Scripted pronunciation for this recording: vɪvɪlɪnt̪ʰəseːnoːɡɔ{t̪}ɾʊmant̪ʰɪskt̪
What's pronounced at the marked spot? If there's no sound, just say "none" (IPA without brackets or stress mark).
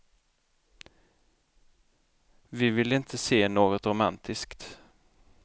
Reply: t̪